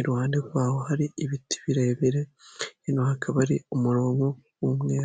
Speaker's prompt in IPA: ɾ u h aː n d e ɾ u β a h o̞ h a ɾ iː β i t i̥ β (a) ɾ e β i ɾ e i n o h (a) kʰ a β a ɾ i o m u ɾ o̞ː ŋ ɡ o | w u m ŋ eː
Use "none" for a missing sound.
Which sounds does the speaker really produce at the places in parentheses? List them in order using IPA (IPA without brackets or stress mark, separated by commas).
i, a